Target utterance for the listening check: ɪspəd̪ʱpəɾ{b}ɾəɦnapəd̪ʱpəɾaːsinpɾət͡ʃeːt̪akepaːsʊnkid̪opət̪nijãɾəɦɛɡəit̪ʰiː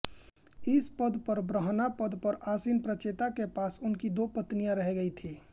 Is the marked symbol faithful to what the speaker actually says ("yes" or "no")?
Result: yes